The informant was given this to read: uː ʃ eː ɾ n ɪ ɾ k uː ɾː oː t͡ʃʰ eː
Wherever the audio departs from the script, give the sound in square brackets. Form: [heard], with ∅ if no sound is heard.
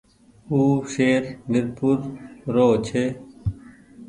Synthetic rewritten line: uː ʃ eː ɾ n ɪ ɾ [p] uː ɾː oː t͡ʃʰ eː